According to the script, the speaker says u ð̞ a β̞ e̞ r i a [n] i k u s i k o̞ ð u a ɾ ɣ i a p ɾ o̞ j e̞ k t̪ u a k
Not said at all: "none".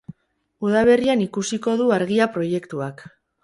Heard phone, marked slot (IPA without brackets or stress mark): n